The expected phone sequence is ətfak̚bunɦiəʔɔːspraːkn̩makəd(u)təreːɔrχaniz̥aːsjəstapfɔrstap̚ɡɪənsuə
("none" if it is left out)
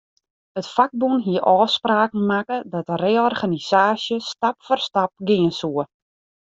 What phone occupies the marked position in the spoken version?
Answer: ɔ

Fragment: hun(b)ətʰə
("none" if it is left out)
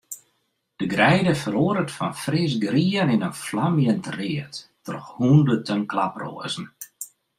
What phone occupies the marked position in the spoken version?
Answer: d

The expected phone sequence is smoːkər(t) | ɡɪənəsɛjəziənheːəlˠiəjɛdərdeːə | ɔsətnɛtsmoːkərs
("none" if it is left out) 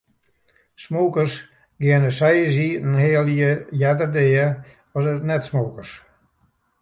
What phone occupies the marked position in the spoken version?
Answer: s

